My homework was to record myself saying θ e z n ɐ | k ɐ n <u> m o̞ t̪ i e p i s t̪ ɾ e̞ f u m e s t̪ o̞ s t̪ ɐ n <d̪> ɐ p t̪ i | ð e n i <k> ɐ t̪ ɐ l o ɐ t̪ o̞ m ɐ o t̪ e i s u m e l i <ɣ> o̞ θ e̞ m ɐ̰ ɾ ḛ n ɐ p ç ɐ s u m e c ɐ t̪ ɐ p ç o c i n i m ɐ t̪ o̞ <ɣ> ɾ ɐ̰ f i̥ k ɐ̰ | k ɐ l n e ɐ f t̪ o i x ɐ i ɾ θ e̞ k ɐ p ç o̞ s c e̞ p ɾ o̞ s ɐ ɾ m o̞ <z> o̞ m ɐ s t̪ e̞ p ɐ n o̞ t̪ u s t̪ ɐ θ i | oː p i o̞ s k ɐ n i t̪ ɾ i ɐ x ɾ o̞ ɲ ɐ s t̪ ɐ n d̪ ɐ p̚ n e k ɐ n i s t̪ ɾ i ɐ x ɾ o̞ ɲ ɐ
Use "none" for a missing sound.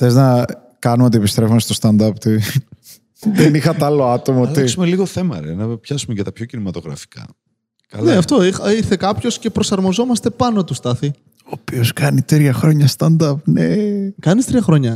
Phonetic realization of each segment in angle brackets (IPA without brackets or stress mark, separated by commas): u, d̪, x, ɣ, ɣ, z